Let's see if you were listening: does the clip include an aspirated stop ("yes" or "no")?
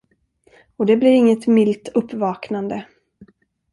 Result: no